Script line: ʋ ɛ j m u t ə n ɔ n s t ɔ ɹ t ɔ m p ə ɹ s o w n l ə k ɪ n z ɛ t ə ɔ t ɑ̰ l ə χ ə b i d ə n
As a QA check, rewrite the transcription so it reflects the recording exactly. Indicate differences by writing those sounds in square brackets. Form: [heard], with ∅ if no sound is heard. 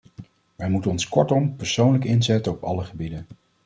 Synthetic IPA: ʋ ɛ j m u t ə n ɔ n s [k] ɔ ɹ t ɔ m p ə ɹ s o w n l ə k ɪ n z ɛ t ə ɔ [p] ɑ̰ l ə χ ə b i d ə n